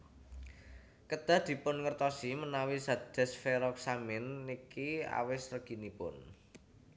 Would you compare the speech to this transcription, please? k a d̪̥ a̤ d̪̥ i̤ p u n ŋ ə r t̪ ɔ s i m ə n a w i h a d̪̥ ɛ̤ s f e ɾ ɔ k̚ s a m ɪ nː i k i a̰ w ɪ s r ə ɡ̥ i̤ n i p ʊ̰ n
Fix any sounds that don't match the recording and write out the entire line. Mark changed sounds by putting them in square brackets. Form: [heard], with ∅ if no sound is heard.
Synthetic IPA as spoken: k [ə] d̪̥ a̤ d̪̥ i̤ p [ʊ] n ŋ ə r t̪ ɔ s i m ə n a w i [s] a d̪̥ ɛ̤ s f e ɾ ɔ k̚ s a m ɪ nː i k i a̰ w ɪ s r ə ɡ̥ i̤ n i p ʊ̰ n